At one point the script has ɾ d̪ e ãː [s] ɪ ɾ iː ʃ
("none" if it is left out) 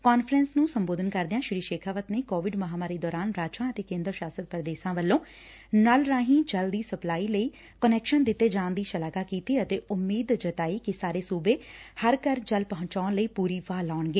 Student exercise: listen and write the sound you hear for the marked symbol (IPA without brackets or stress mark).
ʃ